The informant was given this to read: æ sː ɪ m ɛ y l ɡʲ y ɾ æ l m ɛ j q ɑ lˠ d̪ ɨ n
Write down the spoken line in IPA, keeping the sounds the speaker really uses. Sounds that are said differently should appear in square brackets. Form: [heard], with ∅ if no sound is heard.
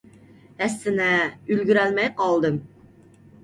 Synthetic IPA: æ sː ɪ [n] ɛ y l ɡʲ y ɾ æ l m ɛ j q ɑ lˠ d̪ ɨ [m]

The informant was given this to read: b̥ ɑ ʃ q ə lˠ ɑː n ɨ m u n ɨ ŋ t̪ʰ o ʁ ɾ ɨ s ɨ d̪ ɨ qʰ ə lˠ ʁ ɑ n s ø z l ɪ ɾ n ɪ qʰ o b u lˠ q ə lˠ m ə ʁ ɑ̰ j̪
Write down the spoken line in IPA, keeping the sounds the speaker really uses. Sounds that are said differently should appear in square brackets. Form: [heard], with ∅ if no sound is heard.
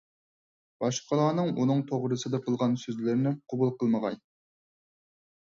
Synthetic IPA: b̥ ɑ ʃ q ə lˠ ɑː n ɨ [ŋ] u n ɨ ŋ t̪ʰ o ʁ ɾ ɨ s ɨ d̪ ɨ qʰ ə lˠ ʁ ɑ n s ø z l ɪ ɾ n ɪ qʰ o b u lˠ q ə lˠ m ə ʁ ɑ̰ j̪

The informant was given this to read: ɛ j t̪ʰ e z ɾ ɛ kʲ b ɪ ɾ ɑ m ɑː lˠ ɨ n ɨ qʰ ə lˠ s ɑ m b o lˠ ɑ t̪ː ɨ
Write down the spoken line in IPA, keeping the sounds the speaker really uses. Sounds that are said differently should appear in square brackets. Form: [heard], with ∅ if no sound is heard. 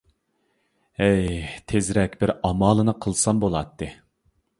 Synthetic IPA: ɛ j t̪ʰ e z ɾ ɛ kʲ b ɪ ɾ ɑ m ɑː lˠ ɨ n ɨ qʰ ə lˠ s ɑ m b o lˠ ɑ t̪ː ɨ

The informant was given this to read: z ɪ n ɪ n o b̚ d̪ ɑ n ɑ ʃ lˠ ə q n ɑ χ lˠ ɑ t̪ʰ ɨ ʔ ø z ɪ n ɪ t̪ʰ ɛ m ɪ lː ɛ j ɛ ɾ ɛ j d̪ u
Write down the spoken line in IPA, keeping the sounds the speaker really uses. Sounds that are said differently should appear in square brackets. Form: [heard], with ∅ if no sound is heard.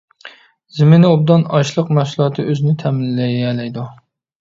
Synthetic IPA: z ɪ [m] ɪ n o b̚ d̪ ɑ n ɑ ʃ lˠ ə q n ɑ [ʃ] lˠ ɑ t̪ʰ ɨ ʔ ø z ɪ n ɪ t̪ʰ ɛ m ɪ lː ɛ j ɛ [l] ɛ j d̪ u

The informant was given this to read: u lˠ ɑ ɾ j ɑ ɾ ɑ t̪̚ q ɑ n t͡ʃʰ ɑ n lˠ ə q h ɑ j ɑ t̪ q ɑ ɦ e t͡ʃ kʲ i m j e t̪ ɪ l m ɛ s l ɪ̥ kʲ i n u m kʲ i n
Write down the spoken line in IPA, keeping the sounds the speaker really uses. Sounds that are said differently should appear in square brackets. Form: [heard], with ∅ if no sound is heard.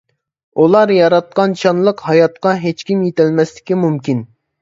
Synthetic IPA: u lˠ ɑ ɾ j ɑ ɾ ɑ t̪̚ q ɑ n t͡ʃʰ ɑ n lˠ ə q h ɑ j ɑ t̪ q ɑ ɦ e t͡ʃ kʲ i m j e t̪ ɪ l m ɛ s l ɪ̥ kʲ i [m] u m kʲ i n

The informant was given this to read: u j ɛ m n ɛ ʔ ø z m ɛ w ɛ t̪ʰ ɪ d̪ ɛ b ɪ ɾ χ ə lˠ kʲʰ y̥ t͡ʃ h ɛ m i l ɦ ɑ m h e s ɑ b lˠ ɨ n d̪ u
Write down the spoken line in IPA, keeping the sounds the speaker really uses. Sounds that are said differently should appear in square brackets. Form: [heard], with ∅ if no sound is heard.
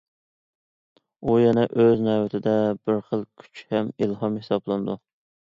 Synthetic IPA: u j ɛ [∅] n ɛ ʔ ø z [n] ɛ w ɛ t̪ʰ ɪ d̪ ɛ b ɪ ɾ χ ə lˠ kʲʰ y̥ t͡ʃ h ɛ m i l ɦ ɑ m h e s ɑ b lˠ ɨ n d̪ u

